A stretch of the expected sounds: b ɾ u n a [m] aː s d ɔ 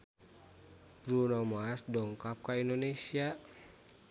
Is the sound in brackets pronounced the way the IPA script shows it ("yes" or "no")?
yes